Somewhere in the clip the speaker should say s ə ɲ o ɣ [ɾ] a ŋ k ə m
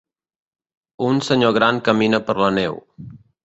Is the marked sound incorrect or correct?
correct